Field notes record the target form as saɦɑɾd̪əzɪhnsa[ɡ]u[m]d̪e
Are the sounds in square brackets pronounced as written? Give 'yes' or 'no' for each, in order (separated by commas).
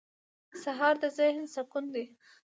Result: no, no